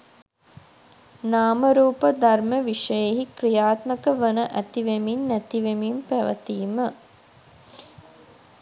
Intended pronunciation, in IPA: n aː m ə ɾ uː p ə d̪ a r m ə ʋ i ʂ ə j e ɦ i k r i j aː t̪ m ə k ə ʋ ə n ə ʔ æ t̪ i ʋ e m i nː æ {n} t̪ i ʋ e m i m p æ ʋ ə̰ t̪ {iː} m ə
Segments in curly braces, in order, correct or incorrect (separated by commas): incorrect, correct